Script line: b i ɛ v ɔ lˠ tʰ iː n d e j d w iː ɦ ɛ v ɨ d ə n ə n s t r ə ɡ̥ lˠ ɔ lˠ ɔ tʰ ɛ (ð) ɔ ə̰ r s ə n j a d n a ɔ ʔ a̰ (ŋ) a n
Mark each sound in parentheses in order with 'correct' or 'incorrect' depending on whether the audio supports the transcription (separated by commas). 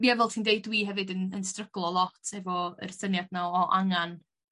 incorrect, correct